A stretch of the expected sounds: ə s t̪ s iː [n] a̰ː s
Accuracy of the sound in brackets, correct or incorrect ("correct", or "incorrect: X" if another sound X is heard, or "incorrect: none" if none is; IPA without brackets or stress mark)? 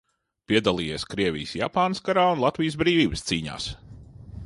incorrect: ɲ